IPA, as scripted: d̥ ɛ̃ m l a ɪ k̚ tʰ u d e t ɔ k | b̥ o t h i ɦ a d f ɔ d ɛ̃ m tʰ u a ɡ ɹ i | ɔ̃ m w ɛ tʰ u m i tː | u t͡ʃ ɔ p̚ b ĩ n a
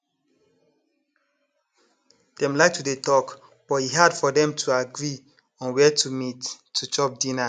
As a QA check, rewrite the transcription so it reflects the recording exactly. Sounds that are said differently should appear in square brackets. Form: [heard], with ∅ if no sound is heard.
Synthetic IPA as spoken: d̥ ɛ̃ m l a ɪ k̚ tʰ u d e t ɔ k | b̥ [ɔ] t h i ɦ a d f ɔ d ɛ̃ m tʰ u a ɡ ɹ i | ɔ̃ [n] w ɛ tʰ u m i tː | u t͡ʃ ɔ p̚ [d] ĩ n a